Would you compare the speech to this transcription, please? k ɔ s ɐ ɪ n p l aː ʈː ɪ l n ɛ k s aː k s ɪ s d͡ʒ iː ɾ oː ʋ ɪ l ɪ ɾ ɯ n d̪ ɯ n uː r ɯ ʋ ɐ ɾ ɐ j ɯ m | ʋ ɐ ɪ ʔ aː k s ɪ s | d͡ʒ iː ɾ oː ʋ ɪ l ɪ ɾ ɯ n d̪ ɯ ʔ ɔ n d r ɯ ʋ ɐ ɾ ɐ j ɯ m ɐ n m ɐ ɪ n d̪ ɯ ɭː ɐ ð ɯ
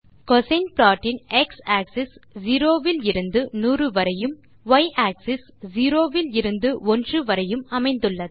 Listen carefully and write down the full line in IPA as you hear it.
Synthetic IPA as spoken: k ɔ s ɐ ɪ n p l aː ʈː ɪ n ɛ k s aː k s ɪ s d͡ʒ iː ɾ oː ʋ ɪ l ɪ ɾ ɯ n d̪ ɯ n uː r ɯ ʋ ɐ ɾ ɐ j ɯ m | ʋ ɐ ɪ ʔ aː k s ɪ s | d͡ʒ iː ɾ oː ʋ ɪ l ɪ ɾ ɯ n d̪ ɯ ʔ ɔ n d r ɯ ʋ ɐ ɾ ɐ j ɯ m ɐ m ɐ ɪ n d̪ ɯ ɭː ɐ ð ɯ

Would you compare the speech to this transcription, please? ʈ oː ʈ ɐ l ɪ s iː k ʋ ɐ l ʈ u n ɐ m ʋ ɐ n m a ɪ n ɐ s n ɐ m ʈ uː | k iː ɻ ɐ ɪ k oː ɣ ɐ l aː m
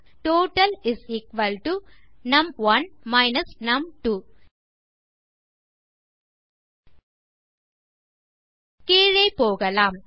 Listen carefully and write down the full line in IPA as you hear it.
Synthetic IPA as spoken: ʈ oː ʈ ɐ l ɪ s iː k ʋ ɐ l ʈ u n ɐ m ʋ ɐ n m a ɪ n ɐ s n ɐ m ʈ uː | k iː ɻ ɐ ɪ p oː ɣ ɐ l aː m

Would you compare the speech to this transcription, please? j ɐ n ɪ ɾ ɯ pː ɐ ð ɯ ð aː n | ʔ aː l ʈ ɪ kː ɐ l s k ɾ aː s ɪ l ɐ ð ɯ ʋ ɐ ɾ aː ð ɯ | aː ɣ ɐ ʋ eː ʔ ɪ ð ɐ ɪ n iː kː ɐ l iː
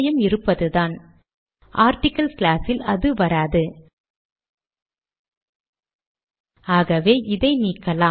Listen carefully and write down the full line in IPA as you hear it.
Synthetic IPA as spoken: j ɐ m ɪ ɾ ɯ pː ɐ ð ɯ ð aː n | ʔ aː ɾ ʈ ɪ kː ɐ l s k l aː s ɪ l ɐ ð ɯ ʋ ɐ ɾ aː ð ɯ | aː ɣ ɐ ʋ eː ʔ ɪ ð ɐ ɪ n iː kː ɐ l aː

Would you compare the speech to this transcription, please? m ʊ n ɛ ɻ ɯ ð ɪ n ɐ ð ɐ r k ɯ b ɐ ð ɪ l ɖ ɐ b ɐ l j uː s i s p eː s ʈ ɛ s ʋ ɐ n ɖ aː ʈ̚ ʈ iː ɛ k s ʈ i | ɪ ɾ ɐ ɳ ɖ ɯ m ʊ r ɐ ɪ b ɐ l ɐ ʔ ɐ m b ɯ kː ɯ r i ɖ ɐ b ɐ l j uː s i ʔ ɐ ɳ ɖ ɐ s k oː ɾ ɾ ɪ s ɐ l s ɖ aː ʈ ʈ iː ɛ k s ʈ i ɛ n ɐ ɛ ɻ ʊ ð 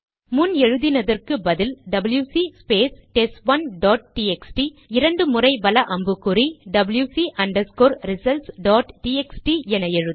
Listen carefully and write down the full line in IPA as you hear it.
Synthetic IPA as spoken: m ʊ n ɛ ɻ ɯ ð ɪ n ɐ ð ɐ r k ɯ b ɐ ð ɪ l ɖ ɐ b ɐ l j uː s i s p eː s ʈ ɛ s ʋ ɐ n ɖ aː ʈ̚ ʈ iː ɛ k s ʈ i | ɪ ɾ ɐ ɳ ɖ ɯ m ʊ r ɐ ɪ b ɐ l ɐ ʔ ɐ m b ɯ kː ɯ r i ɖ ɐ b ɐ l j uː s i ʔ ɐ ɳ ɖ ɐ s k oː ɾ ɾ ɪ s ɐ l s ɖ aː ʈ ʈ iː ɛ k s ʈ i ɛ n ɐ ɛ ɻ ɯ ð

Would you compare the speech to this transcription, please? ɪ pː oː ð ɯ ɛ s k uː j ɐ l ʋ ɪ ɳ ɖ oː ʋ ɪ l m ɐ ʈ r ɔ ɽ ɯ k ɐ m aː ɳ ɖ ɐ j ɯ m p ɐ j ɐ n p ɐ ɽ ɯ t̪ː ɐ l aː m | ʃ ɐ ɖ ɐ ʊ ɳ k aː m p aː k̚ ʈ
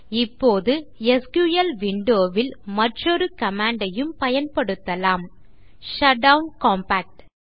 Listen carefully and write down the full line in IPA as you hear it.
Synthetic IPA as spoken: ɪ pː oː ð ɯ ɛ s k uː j ɐ l ʋ ɪ ɳ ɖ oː ʋ ɪ l m ɐ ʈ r ɔ ɾ ɯ k ɐ m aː ɳ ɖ ɐ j ɯ m p ɐ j ɐ n p ɐ ɽ ɯ t̪ː ɐ l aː m | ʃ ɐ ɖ ɐ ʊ n k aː m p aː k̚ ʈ

